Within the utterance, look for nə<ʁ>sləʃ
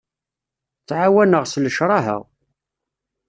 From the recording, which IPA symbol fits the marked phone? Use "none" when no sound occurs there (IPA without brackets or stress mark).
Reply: ʁ